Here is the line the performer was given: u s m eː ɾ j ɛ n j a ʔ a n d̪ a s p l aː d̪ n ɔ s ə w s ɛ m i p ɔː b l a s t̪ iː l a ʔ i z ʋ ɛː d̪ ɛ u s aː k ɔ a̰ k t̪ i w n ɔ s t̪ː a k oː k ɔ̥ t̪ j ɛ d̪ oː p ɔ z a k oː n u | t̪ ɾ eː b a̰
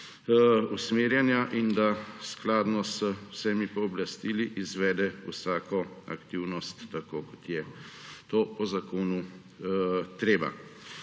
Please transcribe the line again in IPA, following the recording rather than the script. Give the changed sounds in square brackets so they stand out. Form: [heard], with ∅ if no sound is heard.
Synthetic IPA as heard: u s m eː ɾ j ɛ n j a ʔ [i] n d̪ a s [k] l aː d̪ n ɔ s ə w s ɛ m i p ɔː b l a s t̪ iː l [i] ʔ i z ʋ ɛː d̪ ɛ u s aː k ɔ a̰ k t̪ i w n ɔ s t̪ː a k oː k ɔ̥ t̪ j ɛ [t̪] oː p ɔ z a k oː n u | t̪ ɾ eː b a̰